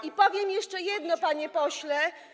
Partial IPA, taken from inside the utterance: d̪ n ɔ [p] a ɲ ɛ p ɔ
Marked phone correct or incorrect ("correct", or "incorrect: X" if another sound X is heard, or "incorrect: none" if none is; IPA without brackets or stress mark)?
correct